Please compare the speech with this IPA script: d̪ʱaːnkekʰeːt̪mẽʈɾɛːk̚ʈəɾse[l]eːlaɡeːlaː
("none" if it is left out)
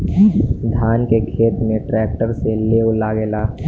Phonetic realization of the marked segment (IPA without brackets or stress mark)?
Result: l